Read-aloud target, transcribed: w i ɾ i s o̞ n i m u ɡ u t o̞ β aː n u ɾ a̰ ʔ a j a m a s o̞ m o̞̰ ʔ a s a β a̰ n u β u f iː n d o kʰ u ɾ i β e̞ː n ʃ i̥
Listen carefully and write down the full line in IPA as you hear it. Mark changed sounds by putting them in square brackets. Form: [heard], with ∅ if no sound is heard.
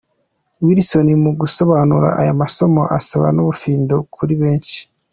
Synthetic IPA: w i ɾ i s o̞ n i m u ɡ u [s] o̞ β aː n u ɾ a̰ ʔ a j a m a s o̞ m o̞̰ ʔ a s a β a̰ n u β u f iː n d o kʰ u ɾ i β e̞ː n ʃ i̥